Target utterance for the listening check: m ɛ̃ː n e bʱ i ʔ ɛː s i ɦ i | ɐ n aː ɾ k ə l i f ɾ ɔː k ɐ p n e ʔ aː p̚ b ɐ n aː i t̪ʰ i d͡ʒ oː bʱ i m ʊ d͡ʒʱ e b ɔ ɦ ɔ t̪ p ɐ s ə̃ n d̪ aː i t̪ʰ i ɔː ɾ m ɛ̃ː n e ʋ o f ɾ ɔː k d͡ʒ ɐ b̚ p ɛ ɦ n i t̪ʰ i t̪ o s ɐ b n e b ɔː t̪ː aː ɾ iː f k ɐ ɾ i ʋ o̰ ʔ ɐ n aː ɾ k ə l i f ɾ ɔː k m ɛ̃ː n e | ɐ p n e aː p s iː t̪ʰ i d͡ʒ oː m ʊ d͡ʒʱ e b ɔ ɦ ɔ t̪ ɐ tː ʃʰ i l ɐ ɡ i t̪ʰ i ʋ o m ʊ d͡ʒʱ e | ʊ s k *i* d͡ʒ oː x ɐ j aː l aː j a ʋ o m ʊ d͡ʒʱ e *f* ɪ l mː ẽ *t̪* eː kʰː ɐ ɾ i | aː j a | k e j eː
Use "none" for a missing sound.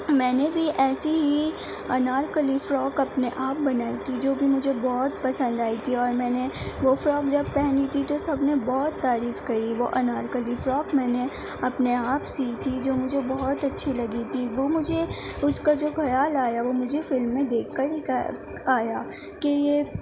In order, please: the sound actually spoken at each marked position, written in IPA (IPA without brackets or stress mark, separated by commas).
a, f, d̪